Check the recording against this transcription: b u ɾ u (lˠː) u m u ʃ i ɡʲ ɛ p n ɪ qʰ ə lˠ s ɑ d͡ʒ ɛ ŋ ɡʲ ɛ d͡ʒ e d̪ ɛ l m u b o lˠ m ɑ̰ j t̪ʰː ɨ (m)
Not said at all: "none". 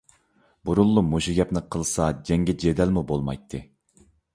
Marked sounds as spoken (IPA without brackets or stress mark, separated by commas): lˠː, none